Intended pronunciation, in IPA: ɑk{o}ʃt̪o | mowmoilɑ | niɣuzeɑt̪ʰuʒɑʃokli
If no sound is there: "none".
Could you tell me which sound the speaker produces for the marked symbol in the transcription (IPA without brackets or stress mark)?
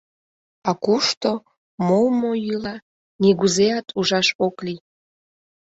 u